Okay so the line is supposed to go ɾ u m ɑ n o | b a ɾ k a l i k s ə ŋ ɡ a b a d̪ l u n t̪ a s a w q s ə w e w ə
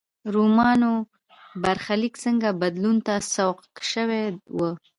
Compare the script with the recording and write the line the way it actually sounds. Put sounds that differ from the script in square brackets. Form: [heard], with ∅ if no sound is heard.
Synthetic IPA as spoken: ɾ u m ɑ n o | b a ɾ [x] a l i k s ə ŋ ɡ a b a d̪ l u n t̪ a s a w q [ʃ] ə w e w ə

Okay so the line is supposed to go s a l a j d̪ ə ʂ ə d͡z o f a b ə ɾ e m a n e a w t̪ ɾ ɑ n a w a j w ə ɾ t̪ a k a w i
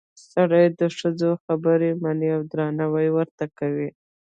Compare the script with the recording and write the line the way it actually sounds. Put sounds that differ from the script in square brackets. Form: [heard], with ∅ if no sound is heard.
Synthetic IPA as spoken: s a [ɽ] a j d̪ ə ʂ ə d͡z o [x] a b ə ɾ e m a n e a w [d̪] ɾ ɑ n a w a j w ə ɾ t̪ a k a w i

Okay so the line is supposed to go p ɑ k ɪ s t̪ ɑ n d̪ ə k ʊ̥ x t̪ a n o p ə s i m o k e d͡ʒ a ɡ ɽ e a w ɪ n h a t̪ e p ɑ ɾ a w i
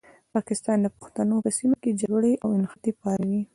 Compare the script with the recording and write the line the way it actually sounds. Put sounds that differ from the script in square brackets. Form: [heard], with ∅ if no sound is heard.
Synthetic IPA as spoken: p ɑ k ɪ s t̪ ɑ n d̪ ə [p] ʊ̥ x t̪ a n o p ə s i m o k e d͡ʒ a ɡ ɽ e a w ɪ n [x] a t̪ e p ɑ ɾ a w i

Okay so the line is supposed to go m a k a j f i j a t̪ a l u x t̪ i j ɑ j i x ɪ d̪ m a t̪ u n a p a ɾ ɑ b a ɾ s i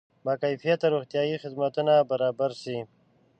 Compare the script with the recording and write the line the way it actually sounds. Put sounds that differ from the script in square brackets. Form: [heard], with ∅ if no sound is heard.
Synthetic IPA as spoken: m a k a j f i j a t̪ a [ɾ] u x t̪ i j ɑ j i x ɪ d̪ m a t̪ u n a [b] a ɾ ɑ b a ɾ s i

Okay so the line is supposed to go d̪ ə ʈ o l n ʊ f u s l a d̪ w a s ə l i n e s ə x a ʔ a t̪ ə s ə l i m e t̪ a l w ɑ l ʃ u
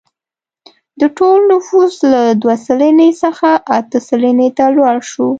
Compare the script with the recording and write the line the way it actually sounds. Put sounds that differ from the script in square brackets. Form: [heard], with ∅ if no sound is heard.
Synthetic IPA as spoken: d̪ ə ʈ o l n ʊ f u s l a d̪ w a s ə l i n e s ə x a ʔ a t̪ ə s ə l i [n] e t̪ a l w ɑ [ɽ] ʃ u

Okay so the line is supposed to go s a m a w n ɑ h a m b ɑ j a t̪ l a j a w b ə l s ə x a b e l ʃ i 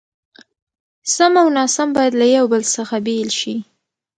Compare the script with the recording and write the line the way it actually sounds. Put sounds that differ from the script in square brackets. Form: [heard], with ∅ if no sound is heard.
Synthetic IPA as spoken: s a m a w n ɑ [s] a m b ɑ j a [d̪] l a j a w b ə l s ə x a b e l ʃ i

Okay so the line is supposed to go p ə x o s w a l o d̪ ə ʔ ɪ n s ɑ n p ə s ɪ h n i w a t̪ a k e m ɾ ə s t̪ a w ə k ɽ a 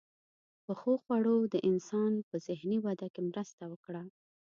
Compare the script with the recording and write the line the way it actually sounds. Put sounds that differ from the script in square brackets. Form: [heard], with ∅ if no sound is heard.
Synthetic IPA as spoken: p ə x o [x] w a [ɽ] o d̪ ə ʔ ɪ n s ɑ n p ə [z] ɪ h n i w a [d̪] a k e m ɾ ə s t̪ a w ə k ɽ a

